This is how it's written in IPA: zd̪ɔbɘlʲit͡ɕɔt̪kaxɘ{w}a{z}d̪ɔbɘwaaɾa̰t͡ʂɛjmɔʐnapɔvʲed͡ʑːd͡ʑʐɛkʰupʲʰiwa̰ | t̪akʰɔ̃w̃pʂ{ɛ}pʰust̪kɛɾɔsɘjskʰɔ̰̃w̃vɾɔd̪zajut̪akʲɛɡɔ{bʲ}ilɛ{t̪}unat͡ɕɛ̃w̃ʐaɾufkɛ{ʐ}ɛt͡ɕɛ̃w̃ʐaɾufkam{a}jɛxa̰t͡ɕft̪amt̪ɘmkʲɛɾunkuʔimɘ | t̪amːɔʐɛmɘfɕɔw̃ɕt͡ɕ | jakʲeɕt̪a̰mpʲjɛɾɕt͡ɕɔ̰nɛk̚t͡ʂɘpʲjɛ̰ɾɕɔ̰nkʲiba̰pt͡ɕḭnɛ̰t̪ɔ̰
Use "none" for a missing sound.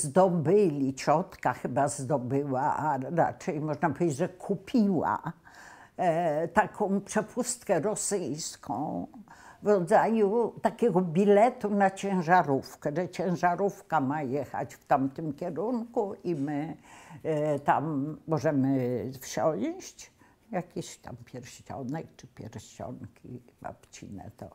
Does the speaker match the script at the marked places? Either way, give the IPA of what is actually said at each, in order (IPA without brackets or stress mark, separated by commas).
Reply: b, z, ɛ, bʲ, t̪, ʐ, a